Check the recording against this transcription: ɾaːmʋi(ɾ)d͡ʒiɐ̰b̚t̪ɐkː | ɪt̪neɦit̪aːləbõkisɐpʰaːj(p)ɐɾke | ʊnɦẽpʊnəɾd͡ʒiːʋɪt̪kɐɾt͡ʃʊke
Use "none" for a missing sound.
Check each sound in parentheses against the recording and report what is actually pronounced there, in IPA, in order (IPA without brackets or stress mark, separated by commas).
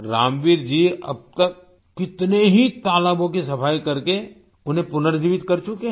ɾ, k